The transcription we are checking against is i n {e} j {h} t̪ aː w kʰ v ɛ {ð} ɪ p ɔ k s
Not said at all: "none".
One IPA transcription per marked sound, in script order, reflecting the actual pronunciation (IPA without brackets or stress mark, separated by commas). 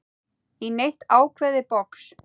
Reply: e, h, ð